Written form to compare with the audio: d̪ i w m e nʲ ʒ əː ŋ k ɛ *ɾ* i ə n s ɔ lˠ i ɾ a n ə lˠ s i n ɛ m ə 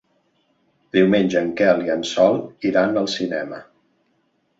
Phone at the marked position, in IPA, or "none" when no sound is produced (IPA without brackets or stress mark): l